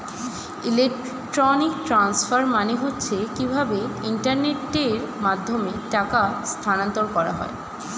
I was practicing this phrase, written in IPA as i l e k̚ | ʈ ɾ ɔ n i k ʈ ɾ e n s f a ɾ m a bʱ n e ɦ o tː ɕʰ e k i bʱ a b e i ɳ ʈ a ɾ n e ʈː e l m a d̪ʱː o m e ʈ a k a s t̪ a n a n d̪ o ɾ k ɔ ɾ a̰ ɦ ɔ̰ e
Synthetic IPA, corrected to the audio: i l e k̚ | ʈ ɾ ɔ n i k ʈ ɾ a n s f a ɾ m a n e ɦ o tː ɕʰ e k i bʱ a b e i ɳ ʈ a ɾ n e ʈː e ɾ m a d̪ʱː o m e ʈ a k a s t̪ʰ a n a n t̪ o ɾ k ɔ ɾ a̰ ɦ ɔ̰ e

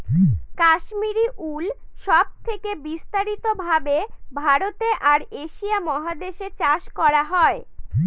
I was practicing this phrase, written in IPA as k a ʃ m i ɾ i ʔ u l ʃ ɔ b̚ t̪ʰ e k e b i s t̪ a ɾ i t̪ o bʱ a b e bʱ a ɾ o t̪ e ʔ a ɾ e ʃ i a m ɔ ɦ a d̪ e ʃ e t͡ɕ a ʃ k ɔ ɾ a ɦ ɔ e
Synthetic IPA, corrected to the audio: k a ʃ m i ɾ i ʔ u l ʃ ɔ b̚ t̪ʰ e k e b i s t̪ a ɾ i t̪ o bʱ a b e bʱ a ɾ o t̪ e ʔ a ɾ e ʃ i a m ɔ ɦ a d̪ e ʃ e t͡ɕ a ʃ k ɔ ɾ a ɦ ɔ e

